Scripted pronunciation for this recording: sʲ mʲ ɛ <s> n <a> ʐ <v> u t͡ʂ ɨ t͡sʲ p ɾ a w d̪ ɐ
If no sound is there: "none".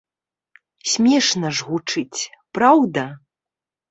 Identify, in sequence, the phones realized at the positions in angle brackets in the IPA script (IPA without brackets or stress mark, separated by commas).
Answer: ʂ, ɐ, ɣ